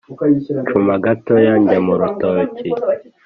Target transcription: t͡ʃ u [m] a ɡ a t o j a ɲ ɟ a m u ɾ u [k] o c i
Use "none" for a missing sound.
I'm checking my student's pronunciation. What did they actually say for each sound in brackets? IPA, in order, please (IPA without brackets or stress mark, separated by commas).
m, t